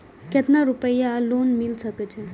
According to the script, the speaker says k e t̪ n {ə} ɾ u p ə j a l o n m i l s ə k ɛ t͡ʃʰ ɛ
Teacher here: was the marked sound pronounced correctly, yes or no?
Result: no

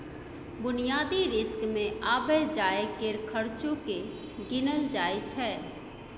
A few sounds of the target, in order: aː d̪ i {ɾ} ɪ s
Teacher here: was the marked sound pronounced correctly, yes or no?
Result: yes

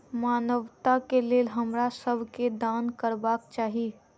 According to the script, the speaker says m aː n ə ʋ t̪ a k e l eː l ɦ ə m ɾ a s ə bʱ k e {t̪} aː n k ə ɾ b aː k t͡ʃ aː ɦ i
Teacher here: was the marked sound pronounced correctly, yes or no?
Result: no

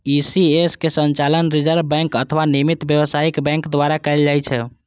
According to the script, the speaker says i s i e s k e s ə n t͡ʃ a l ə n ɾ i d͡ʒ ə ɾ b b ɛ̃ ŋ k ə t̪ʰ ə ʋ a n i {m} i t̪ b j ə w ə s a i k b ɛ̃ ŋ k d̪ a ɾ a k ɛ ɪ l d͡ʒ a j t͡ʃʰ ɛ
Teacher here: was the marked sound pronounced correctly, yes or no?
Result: yes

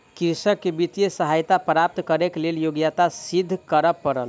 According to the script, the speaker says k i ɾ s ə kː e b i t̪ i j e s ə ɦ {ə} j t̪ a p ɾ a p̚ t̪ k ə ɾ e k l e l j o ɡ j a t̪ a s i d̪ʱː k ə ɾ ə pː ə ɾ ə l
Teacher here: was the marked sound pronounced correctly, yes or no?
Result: no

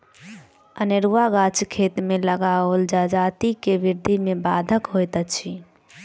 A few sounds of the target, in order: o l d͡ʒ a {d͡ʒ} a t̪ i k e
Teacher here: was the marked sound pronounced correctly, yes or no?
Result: yes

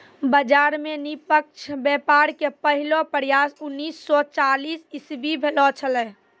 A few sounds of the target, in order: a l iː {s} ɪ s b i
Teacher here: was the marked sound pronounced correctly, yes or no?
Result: yes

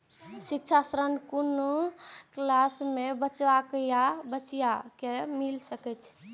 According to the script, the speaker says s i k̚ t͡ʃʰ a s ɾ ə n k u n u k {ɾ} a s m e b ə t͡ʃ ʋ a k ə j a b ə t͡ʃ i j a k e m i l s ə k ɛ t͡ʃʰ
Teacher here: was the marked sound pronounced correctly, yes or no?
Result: no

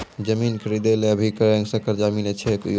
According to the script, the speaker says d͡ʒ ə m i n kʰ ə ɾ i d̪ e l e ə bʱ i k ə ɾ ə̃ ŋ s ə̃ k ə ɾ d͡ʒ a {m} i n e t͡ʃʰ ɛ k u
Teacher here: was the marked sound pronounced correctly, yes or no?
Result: yes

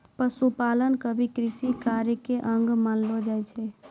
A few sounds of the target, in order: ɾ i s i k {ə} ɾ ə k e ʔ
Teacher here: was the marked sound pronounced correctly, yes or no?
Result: no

